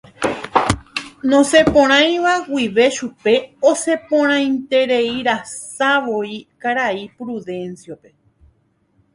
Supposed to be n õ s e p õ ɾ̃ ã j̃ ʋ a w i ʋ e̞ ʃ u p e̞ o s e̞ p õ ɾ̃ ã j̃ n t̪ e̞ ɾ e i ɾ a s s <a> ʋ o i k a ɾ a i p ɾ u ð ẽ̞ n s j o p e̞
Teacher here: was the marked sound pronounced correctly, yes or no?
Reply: yes